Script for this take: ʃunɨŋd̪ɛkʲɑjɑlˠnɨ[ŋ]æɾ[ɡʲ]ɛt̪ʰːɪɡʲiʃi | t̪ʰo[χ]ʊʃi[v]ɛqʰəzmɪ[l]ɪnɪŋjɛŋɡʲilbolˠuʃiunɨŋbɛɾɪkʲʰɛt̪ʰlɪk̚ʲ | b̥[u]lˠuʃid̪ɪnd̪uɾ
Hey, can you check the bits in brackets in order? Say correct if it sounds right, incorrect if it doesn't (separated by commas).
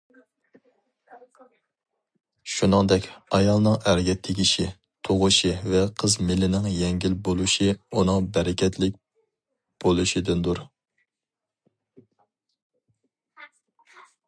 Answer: correct, correct, incorrect, correct, correct, incorrect